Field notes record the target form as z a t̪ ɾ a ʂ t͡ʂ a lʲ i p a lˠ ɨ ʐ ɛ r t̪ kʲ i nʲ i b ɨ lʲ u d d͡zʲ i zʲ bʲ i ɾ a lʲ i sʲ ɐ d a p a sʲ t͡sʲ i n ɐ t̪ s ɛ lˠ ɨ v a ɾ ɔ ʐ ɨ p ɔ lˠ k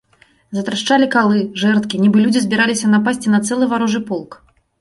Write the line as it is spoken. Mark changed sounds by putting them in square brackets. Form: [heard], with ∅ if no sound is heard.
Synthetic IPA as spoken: z [ɐ] t̪ ɾ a ʂ t͡ʂ a lʲ i [k] a lˠ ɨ ʐ ɛ r t̪ kʲ i nʲ i b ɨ lʲ u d d͡zʲ i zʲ bʲ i ɾ a lʲ i sʲ ɐ [n] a p a sʲ t͡sʲ i n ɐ t̪ s ɛ lˠ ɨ v a ɾ ɔ ʐ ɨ p ɔ lˠ k